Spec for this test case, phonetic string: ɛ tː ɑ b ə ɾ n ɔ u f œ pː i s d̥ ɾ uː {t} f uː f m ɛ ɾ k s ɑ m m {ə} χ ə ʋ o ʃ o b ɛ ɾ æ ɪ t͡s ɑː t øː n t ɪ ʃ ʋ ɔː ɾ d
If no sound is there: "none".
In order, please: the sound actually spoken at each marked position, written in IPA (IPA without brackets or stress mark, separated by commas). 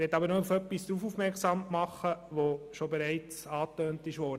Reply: none, ɑ